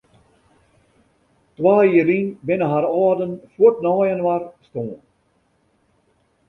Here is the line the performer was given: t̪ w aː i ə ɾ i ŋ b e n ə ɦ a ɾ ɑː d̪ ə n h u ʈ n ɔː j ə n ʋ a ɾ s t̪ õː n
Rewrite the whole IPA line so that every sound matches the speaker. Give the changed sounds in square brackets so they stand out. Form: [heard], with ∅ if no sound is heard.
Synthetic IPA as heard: t̪ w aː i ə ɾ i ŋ b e n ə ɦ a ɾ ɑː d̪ ə n [f] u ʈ n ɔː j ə n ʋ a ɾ s t̪ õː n